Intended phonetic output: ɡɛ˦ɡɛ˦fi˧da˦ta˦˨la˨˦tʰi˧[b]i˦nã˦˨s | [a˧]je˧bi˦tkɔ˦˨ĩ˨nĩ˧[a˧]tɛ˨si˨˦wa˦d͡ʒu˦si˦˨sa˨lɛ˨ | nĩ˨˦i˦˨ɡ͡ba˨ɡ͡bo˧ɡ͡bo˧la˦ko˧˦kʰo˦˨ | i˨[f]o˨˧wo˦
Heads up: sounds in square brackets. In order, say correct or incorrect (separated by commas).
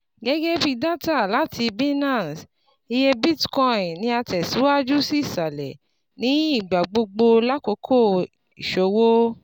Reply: correct, incorrect, correct, incorrect